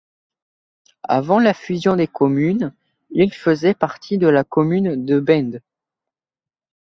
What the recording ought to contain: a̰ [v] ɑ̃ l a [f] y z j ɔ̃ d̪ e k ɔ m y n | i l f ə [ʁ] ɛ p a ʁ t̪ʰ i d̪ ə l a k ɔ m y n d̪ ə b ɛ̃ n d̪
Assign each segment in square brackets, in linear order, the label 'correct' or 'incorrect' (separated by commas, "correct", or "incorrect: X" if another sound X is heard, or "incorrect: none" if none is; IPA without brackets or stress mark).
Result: correct, correct, incorrect: z